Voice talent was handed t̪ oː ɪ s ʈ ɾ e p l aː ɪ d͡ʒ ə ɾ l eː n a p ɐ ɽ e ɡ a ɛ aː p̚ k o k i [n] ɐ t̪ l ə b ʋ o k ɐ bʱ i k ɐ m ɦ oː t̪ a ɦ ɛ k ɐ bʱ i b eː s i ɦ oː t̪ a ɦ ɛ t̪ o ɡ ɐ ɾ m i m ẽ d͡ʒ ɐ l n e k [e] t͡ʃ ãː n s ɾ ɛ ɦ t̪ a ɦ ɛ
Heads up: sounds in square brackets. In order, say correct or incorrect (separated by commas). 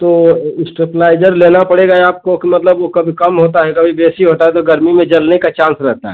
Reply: incorrect, incorrect